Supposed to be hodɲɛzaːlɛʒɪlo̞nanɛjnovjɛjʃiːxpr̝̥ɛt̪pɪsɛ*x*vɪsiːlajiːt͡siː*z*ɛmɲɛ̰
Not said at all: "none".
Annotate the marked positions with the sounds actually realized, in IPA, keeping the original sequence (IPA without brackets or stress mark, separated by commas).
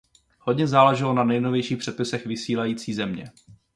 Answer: x, z